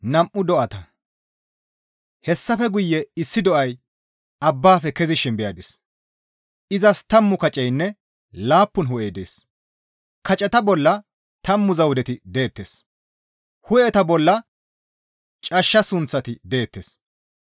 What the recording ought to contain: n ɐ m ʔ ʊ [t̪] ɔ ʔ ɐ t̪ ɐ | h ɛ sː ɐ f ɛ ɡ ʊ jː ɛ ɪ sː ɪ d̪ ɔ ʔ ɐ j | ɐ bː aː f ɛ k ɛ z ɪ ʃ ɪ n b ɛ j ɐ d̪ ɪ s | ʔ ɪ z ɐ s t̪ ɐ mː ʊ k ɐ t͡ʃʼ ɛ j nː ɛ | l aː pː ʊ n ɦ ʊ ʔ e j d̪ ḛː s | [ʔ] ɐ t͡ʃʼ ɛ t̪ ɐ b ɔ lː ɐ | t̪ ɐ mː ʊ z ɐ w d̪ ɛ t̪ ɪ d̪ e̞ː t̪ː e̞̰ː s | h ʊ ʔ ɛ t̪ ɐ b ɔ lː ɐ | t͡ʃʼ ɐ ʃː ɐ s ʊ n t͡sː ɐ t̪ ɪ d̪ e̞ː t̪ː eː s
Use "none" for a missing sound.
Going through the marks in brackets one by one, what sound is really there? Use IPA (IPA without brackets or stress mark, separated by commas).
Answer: d̪, k